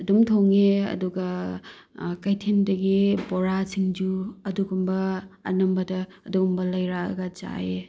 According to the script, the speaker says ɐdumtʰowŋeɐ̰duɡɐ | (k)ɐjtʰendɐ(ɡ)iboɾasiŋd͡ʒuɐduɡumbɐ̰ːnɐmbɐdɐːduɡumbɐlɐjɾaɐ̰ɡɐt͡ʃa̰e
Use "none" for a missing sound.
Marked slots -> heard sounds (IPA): k, ɡ

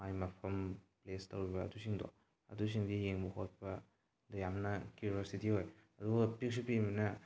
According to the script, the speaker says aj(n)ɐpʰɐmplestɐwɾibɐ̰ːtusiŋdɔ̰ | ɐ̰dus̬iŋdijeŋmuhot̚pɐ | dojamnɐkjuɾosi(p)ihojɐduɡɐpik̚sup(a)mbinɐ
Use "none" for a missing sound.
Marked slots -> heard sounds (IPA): m, t, i

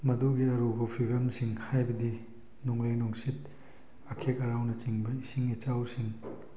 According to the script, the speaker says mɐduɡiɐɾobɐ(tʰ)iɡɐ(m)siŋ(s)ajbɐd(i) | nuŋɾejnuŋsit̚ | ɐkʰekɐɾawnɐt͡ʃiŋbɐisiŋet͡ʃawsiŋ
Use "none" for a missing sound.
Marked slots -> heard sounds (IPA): pʰ, m, h, i

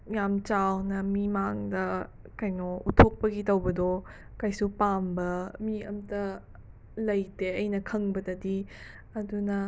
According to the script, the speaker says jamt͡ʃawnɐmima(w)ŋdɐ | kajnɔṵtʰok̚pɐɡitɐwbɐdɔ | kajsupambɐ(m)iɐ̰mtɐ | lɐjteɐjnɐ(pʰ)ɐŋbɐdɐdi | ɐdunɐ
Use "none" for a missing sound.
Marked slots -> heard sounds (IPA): none, m, kʰ

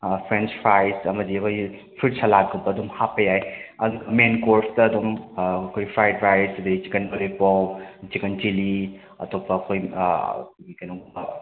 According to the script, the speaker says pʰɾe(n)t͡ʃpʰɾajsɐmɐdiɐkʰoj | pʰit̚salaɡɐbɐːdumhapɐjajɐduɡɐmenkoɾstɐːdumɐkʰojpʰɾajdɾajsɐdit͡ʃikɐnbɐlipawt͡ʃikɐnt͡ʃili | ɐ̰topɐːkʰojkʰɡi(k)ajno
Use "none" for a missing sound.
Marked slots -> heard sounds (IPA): n, k

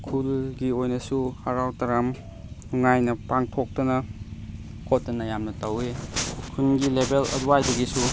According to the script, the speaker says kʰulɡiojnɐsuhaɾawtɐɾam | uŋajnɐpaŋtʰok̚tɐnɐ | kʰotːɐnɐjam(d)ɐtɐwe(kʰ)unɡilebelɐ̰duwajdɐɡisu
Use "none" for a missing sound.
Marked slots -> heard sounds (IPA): n, kʰ

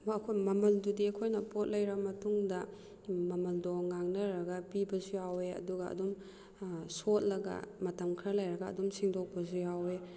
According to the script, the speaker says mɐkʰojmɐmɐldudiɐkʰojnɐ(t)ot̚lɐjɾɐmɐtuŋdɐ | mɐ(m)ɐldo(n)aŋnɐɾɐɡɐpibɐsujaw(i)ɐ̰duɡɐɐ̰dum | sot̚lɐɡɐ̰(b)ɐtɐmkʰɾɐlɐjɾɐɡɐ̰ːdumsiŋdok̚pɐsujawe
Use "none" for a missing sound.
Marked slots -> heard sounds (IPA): p, m, ŋ, e, m

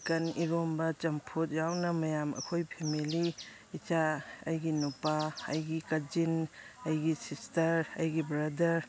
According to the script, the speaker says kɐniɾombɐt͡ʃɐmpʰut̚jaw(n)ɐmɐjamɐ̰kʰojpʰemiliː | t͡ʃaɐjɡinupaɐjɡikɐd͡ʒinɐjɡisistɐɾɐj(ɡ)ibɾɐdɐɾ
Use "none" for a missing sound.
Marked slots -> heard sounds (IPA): n, ɡ

